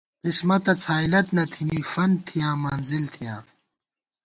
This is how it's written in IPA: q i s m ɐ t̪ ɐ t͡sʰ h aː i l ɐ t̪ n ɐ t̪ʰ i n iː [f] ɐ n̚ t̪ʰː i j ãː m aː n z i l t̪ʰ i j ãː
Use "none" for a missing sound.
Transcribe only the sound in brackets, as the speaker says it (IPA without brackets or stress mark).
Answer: f